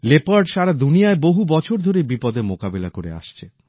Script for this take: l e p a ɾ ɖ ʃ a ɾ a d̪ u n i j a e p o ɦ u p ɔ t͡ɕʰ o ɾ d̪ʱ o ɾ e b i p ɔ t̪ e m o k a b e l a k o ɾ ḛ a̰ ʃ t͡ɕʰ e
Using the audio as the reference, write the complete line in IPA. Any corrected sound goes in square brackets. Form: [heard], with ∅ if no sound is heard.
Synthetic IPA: l e p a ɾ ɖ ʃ a ɾ a d̪ u n i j a e [b] o ɦ u [b] ɔ t͡ɕʰ o ɾ d̪ʱ o ɾ e b i p ɔ [d̪] e m o k a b e l a k o ɾ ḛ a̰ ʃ t͡ɕʰ e